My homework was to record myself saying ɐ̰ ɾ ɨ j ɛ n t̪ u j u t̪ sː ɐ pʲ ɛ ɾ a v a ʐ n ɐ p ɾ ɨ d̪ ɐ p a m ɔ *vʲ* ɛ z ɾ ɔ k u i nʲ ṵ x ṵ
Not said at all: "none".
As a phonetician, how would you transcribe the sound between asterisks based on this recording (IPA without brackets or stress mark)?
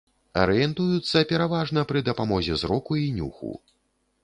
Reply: zʲ